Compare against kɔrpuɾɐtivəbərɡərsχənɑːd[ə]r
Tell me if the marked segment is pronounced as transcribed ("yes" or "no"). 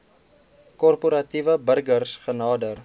yes